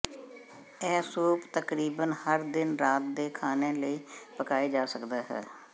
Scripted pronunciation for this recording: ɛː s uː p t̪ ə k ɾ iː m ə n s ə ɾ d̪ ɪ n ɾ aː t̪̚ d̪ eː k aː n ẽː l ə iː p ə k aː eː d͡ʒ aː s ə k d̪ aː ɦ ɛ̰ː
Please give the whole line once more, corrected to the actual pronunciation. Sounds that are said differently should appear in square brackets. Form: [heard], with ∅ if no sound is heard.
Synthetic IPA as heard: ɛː s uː p t̪ ə k ɾ iː [b] ə n [h] ə ɾ d̪ ɪ n ɾ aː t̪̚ d̪ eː [kʰ] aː n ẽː l ə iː p ə k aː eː d͡ʒ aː s ə k d̪ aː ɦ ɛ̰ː